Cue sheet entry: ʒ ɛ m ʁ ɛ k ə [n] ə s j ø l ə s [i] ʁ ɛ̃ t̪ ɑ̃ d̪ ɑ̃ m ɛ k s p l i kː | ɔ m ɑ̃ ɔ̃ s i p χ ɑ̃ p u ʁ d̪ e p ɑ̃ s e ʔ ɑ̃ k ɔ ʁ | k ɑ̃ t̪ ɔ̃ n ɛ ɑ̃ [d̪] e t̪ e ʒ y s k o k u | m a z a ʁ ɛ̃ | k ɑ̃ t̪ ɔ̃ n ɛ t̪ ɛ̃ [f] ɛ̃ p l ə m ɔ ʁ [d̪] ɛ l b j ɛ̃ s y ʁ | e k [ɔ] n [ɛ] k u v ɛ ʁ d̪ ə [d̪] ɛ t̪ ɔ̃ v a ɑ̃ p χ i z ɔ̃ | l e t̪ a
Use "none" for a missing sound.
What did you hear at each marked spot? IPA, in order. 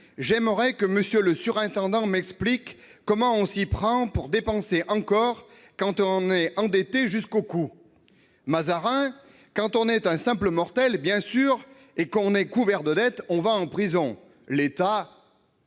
m, y, d̪, s, t̪, ɔ̃, ɛ, d̪

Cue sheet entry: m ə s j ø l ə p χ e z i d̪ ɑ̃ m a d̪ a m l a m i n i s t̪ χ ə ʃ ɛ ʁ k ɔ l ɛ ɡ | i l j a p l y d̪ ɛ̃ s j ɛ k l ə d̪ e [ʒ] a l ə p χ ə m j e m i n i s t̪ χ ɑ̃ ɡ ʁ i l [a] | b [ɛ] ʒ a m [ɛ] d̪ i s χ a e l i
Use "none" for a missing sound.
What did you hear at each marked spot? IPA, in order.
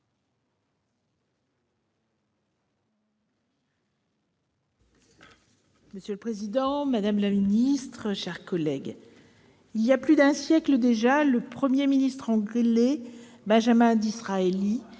ʒ, e, ɛ̃, ɛ̃

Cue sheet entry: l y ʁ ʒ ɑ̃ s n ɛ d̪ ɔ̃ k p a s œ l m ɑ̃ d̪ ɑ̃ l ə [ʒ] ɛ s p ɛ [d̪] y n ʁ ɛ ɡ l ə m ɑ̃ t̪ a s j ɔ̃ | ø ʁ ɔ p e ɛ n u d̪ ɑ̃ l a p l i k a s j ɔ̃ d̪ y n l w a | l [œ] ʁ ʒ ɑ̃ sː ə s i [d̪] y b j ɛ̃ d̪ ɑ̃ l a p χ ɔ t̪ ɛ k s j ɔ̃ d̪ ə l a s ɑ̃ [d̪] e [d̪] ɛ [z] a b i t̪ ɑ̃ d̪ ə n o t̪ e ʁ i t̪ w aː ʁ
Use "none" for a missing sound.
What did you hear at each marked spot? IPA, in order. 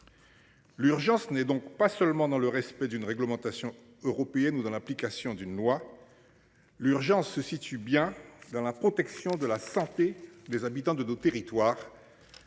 ʁ, d̪, y, t̪, t̪, d̪, z

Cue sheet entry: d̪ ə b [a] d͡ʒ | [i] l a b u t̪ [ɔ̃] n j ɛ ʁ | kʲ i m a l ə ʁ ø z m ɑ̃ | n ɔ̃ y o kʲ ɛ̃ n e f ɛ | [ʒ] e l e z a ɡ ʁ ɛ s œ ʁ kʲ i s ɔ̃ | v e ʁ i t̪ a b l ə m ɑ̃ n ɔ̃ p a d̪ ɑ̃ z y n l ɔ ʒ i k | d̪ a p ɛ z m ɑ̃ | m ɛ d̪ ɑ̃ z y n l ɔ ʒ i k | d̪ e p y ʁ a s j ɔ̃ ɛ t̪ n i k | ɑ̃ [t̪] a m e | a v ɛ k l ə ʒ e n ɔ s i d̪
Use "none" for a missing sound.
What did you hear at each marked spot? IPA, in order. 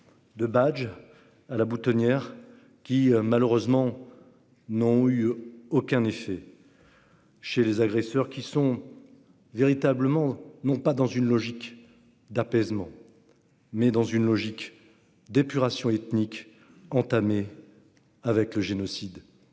a, a, ɔ, ʃ, t̪

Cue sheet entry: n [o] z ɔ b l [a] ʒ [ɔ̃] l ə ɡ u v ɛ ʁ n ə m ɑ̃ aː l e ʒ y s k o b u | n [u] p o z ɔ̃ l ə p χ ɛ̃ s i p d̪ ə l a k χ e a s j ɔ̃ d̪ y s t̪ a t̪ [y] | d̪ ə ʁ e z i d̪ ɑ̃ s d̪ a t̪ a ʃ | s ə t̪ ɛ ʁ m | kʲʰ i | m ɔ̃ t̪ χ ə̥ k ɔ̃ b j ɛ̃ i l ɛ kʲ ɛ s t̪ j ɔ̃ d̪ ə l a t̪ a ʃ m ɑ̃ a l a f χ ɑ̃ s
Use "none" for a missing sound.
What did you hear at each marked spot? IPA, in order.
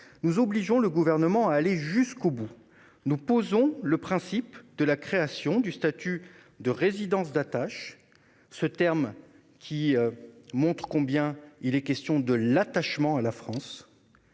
u, i, ɔ̃, u, y

